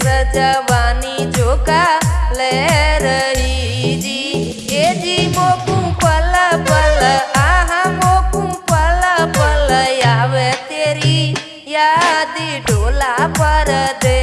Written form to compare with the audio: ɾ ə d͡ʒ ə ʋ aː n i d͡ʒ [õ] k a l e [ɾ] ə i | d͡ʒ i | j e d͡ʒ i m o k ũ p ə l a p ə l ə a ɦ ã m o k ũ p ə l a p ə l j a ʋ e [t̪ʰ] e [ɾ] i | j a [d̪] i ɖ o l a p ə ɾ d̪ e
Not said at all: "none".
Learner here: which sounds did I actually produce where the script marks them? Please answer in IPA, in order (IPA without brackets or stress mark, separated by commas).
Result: o, ɾ, t̪, ɾ, d̪